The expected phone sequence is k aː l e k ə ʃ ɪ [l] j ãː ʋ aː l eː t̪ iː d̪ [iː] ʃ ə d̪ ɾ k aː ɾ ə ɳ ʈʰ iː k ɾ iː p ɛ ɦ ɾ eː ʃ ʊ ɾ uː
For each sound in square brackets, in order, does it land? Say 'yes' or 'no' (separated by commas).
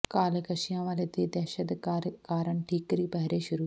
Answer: no, no